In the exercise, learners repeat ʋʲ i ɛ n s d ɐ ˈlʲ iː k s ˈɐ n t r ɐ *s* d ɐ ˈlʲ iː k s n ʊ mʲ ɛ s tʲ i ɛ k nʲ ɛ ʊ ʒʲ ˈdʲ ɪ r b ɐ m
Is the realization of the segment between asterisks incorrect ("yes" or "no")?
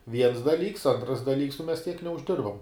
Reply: no